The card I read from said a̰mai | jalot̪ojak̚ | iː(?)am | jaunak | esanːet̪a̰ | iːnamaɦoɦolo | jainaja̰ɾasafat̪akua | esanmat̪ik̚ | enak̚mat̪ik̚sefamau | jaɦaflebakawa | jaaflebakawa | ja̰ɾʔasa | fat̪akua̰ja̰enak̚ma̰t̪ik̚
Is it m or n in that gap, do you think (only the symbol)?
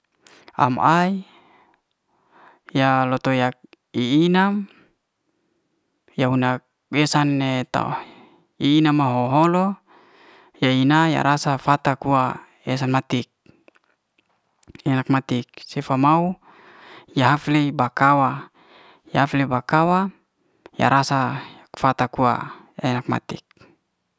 n